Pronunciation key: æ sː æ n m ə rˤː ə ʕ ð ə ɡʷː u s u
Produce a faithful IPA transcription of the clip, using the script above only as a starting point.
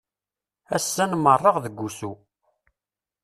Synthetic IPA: æ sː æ n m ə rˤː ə ʁ ð ə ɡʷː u s u